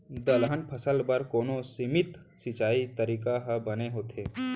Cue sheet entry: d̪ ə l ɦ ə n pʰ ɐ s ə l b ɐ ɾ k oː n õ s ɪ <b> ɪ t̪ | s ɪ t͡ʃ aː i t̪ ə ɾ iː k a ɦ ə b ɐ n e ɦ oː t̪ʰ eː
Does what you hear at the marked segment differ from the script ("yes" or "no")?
yes